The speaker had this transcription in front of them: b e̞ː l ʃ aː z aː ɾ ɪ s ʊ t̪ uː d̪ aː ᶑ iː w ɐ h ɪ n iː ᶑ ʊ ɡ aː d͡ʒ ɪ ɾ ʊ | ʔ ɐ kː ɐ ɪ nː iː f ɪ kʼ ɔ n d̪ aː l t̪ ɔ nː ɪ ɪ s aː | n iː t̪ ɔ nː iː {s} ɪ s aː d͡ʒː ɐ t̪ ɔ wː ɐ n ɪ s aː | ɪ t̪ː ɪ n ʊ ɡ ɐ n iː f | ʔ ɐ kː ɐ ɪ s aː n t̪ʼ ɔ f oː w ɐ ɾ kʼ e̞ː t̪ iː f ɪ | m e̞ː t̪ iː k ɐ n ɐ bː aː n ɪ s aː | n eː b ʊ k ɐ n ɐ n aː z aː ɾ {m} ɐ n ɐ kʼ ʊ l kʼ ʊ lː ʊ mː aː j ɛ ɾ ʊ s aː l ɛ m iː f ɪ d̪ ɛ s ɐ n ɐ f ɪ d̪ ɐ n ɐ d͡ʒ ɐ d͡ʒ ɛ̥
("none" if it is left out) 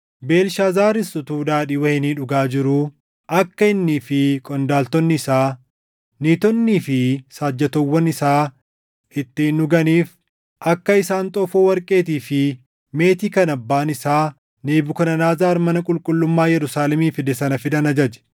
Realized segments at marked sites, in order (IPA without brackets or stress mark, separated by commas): f, m